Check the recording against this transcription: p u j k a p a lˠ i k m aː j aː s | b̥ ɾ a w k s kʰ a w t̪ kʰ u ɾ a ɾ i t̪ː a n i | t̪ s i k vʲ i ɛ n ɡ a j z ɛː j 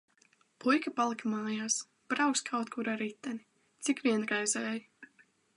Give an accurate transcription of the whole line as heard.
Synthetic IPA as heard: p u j k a p a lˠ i k m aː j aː s | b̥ ɾ a w k s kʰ a w t̪ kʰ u ɾ a ɾ i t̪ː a n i | t̪ s i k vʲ i ɛ n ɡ a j z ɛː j